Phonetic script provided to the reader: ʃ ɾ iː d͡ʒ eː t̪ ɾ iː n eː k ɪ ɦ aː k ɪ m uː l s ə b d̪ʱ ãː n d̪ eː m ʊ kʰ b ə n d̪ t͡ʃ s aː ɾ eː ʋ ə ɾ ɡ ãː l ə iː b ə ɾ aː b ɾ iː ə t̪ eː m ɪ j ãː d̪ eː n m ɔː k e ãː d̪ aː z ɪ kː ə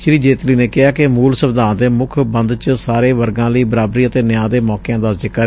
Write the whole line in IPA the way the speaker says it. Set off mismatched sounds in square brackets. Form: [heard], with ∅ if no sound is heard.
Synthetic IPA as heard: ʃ ɾ iː d͡ʒ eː t̪ [l] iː n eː k ɪ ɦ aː k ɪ m uː l s ə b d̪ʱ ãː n d̪ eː m ʊ kʰ b ə n d̪ t͡ʃ s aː ɾ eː ʋ ə ɾ ɡ ãː l ə iː b ə ɾ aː b ɾ iː ə t̪ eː [n] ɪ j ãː d̪ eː [∅] m ɔː k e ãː d̪ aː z ɪ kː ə